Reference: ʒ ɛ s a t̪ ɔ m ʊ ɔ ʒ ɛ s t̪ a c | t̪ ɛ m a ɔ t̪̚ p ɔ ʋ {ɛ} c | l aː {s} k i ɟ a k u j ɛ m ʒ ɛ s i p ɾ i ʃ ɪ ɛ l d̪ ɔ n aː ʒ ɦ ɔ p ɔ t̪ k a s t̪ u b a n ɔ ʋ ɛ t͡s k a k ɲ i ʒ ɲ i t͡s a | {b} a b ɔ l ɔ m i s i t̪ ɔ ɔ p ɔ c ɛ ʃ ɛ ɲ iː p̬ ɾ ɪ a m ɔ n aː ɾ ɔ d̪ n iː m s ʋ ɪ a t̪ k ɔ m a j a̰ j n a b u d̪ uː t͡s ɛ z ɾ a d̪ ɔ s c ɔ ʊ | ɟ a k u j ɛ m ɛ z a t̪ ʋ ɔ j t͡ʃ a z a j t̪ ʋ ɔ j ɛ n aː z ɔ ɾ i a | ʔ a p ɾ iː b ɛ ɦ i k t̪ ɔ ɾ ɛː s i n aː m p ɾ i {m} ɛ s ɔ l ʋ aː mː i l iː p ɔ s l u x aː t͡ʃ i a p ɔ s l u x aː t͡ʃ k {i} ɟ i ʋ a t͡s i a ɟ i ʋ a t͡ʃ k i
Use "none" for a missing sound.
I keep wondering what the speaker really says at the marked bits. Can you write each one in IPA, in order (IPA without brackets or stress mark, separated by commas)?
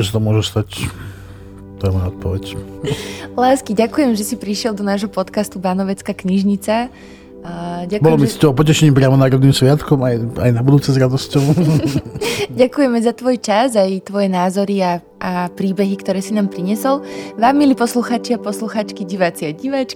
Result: ɛ, s, ɟ, ɲ, i